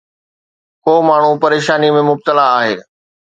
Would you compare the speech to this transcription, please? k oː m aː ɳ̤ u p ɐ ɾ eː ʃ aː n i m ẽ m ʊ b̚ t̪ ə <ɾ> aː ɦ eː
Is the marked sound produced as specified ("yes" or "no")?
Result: no